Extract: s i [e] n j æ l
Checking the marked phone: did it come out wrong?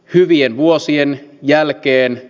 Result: no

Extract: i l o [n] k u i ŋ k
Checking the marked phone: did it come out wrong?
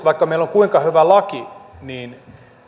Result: yes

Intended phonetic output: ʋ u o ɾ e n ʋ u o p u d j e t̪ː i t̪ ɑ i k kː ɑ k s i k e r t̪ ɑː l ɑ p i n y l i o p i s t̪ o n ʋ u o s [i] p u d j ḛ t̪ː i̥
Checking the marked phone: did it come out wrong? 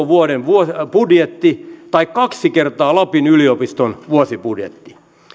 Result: no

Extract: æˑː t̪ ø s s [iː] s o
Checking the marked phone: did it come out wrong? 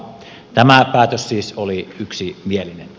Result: no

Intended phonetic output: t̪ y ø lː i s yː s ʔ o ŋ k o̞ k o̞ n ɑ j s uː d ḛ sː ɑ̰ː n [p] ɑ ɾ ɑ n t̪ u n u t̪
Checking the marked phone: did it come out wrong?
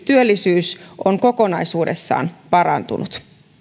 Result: no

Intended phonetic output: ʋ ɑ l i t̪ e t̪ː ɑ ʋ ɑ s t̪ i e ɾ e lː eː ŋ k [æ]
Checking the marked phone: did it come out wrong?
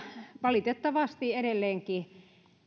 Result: yes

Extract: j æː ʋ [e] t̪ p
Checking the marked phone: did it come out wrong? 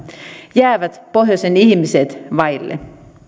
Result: yes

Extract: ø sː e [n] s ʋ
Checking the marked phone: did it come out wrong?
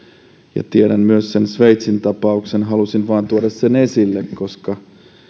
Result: no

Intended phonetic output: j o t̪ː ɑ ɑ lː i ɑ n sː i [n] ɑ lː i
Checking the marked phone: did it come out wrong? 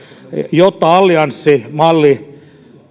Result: yes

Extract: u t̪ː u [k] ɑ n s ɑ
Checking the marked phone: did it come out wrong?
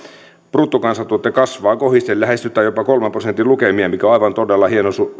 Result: no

